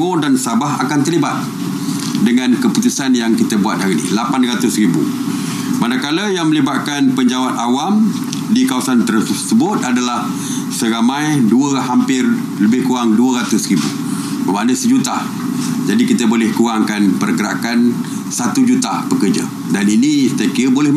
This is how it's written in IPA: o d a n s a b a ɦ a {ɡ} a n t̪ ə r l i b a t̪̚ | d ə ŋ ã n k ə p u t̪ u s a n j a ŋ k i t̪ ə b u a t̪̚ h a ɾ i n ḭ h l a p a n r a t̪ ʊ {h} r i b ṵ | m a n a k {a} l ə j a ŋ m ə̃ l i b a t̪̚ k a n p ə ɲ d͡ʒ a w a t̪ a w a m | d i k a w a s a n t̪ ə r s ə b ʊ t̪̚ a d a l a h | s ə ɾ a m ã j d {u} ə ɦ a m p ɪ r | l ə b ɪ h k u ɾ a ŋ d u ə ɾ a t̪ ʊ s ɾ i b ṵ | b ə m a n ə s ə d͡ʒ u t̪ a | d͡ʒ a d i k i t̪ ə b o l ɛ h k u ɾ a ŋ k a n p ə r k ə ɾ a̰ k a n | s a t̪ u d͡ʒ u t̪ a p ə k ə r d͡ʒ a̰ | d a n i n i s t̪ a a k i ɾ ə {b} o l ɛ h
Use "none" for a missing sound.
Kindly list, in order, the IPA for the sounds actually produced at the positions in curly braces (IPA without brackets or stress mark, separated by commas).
k, s, a, u, b